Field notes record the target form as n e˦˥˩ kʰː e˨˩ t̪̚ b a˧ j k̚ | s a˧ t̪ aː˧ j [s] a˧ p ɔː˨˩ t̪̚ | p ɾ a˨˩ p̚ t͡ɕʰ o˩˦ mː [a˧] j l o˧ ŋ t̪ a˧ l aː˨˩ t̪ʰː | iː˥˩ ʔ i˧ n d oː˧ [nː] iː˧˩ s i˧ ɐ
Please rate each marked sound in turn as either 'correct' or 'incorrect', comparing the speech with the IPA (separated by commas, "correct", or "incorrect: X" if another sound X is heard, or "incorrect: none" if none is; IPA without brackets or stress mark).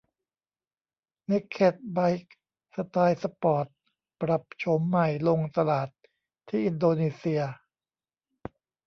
correct, incorrect: a˨˩, incorrect: n